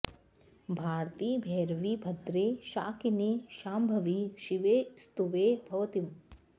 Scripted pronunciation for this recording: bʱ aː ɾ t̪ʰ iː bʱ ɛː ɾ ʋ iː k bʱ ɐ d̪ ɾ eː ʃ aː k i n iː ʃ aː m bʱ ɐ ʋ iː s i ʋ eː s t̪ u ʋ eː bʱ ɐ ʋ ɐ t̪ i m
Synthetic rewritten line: bʱ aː ɾ t̪ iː bʱ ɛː ɾ ʋ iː bʱ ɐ d̪ ɾ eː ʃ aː k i n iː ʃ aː m bʱ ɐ ʋ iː ʃ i ʋ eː s t̪ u ʋ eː bʱ ɐ ʋ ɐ t̪ i m